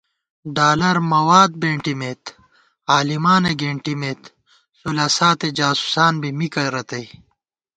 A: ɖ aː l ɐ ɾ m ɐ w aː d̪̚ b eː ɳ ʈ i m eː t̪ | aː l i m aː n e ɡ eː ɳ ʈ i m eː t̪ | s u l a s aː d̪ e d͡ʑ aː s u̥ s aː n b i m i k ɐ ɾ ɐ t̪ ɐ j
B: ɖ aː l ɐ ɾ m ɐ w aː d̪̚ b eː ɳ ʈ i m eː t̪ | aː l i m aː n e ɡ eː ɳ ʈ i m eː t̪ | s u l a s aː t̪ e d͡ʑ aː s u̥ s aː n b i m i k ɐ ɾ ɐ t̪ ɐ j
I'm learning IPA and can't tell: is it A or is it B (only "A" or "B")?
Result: B